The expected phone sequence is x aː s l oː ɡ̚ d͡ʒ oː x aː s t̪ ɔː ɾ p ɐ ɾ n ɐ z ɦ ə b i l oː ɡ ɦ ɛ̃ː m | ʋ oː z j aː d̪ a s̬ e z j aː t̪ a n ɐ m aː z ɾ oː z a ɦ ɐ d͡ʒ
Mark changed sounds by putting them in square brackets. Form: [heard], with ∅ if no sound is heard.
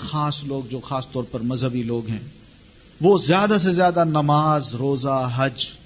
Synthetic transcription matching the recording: x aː s l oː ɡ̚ d͡ʒ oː x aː s t̪ ɔː ɾ p ɐ ɾ [m] ɐ z ɦ ə b i l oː ɡ ɦ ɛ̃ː [∅] | ʋ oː z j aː d̪ a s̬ e z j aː [d̪] a n ɐ m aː z ɾ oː z a ɦ ɐ d͡ʒ